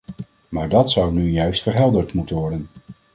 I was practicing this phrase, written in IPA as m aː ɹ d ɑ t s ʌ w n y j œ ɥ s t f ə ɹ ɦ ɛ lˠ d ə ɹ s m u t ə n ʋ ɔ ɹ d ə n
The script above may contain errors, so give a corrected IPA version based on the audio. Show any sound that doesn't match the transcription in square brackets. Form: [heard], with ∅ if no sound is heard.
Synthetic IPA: m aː ɹ d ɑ t s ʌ w n y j œ ɥ s t f ə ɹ ɦ ɛ lˠ d ə ɹ [t] m u t ə n ʋ ɔ ɹ d ə n